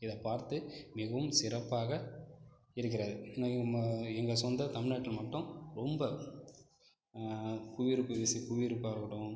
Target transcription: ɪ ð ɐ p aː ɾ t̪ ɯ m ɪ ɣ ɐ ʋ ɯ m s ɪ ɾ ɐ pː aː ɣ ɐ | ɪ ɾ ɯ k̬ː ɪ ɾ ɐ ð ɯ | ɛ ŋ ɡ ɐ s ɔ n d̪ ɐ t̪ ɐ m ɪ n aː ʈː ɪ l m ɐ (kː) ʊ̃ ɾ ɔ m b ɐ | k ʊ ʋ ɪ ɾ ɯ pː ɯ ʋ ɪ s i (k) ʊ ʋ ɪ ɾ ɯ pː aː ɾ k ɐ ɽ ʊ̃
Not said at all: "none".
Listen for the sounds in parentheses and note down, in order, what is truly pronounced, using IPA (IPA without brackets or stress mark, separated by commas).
ʈː, k